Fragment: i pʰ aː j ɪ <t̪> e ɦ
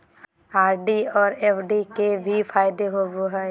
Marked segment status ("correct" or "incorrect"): incorrect